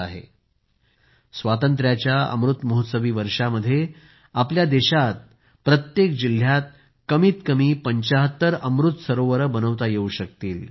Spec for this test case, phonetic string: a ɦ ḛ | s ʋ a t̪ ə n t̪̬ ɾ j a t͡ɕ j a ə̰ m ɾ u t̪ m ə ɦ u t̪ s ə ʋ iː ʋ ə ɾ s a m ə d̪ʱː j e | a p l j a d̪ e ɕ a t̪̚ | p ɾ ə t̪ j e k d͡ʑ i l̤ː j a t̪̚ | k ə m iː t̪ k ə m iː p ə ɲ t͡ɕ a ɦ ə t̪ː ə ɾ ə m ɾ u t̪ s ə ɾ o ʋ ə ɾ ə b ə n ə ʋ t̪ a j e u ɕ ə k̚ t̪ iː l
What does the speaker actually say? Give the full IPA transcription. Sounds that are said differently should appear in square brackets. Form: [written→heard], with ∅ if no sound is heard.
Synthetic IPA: a ɦ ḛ | s ʋ a t̪ ə n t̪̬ ɾ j a t͡ɕ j a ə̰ m ɾ u t̪ m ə ɦ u t̪ s ə ʋ iː ʋ ə ɾ [s→ʂ] a m ə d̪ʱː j e | a p l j a d̪ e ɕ a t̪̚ | p ɾ ə t̪ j e k d͡ʑ i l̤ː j a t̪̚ | k ə m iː t̪ k ə m iː p ə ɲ t͡ɕ a ɦ ə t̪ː ə ɾ ə m ɾ u t̪ s ə ɾ o ʋ ə ɾ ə b ə n ə ʋ t̪ a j e u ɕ ə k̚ t̪ iː l